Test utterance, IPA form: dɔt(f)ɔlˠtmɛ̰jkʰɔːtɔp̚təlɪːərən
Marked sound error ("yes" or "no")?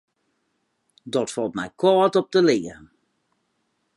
no